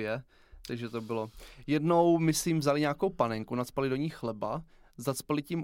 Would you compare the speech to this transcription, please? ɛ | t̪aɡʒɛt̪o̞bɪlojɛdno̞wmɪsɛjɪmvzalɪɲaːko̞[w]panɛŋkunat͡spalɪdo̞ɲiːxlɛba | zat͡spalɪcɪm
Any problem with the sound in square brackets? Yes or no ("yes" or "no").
no